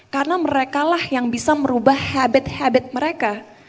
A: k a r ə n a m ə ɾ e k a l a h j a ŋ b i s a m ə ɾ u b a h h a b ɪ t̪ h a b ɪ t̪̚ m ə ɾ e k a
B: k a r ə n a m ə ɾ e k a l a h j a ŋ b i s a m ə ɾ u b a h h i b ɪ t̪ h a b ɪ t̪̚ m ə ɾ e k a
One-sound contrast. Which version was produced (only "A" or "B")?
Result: A